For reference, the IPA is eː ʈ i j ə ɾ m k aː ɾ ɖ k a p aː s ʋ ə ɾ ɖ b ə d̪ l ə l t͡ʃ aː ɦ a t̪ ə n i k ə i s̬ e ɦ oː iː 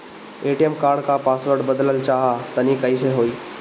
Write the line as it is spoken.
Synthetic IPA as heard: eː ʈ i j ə m k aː ɾ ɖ k a p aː s ʋ ə ɾ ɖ b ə d̪ l ə l t͡ʃ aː ɦ a t̪ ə n i k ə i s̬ e ɦ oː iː

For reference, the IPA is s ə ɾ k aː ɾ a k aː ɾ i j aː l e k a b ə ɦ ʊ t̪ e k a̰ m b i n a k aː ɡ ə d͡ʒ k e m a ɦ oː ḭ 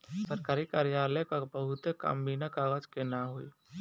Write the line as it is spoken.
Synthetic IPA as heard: s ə ɾ k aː ɾ i k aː ɾ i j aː l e k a b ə ɦ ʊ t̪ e k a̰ m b i n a k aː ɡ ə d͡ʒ k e n a ɦ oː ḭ

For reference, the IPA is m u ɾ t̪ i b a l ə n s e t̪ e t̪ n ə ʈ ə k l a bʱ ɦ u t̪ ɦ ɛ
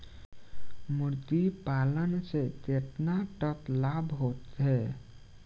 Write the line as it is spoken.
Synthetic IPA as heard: m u ɾ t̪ i p a l ə n s e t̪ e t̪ n a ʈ ə k l a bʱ ɦ o t̪ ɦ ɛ

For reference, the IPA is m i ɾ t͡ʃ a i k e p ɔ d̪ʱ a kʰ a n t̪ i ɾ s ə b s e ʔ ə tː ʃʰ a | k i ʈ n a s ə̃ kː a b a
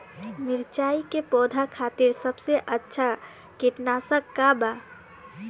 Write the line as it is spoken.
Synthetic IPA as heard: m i ɾ t͡ʃ a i k e p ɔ d̪ʱ a kʰ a t̪ i ɾ s ə b s e ʔ ə tː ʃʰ a | k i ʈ n a s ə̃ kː a b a

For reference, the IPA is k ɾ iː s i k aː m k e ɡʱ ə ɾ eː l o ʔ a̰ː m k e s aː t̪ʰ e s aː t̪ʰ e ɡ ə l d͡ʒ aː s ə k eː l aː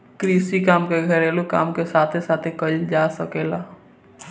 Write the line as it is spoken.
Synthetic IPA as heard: k ɾ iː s i k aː m k e ɡʱ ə ɾ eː l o k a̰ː m k e s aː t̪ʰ e s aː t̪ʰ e k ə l d͡ʒ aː s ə k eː l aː

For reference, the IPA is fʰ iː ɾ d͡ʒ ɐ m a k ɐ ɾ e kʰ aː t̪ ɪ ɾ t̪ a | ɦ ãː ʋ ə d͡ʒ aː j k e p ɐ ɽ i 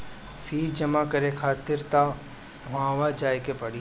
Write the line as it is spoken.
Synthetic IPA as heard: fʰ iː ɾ d͡ʒ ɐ m a k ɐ ɾ e kʰ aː t̪ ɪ ɾ t̪ a | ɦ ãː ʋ a d͡ʒ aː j k e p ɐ ɽ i

